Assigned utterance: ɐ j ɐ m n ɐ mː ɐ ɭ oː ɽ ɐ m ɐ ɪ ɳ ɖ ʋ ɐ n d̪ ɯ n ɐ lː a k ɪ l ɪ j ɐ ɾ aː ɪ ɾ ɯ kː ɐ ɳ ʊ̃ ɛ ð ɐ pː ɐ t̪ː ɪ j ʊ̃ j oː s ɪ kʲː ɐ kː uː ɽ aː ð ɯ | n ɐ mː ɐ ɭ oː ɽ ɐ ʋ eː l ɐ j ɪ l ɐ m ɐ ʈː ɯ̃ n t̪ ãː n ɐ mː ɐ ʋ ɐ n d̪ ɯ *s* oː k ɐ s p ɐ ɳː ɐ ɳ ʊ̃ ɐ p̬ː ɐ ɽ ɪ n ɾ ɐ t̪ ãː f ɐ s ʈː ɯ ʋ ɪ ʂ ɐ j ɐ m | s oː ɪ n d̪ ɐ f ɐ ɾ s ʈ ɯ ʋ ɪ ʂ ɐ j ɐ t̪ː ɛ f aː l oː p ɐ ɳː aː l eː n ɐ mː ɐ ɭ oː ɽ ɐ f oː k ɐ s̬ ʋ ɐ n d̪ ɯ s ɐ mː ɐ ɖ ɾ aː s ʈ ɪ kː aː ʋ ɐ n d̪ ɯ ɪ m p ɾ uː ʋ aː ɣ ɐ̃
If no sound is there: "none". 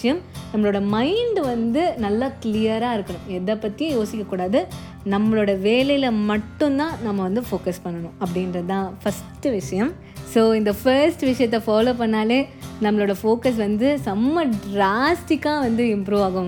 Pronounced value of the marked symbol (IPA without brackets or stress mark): f